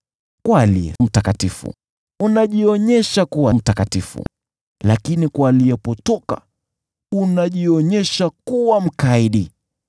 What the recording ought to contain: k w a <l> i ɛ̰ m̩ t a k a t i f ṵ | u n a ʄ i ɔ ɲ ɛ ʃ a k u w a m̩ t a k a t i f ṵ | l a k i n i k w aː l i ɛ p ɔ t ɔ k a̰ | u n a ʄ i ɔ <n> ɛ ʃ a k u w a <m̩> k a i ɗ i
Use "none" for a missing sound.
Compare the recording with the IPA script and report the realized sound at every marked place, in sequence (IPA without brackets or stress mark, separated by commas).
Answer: l, ɲ, m̩